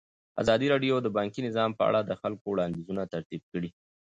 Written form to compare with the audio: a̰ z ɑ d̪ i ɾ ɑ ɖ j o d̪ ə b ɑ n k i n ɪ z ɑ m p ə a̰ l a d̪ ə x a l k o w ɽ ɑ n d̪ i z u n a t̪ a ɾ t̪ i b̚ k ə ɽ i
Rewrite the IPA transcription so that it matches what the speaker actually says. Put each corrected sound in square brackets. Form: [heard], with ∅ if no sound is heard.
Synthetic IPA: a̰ z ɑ d̪ i ɾ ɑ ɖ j o d̪ ə b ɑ [ŋ] k i n ɪ z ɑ m p ə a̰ [ɽ] a d̪ ə x a l k o w ɽ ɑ n d̪ i z u n a t̪ a ɾ t̪ i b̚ k ə ɽ i